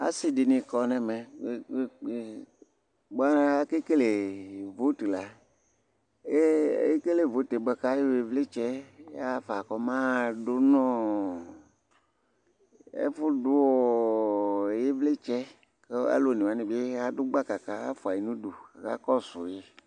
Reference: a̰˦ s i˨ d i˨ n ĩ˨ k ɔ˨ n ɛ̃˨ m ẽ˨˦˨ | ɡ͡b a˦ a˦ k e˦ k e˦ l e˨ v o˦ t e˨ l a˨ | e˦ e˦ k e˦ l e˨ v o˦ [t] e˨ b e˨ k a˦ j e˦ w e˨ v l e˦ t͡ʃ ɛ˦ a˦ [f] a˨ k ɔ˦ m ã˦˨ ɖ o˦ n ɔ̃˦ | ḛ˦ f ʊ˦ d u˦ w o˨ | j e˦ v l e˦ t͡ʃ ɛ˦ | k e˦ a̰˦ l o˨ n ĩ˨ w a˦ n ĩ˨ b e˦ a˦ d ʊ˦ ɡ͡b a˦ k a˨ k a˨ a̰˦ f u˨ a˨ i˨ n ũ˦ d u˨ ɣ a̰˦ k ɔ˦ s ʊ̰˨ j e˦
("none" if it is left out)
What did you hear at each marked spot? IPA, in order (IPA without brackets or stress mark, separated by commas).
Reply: t, f